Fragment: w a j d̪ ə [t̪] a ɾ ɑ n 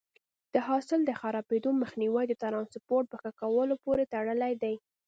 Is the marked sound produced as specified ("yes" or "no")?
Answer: yes